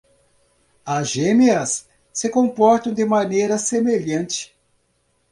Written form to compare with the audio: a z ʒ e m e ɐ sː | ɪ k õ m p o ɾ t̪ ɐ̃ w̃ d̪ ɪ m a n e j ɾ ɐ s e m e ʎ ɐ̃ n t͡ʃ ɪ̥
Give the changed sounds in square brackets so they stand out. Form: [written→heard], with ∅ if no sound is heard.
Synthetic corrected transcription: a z ʒ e m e ɐ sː | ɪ k õ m p [o→ɔ] ɾ t̪ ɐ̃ w̃ d̪ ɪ m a n e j ɾ ɐ s e m e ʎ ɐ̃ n t͡ʃ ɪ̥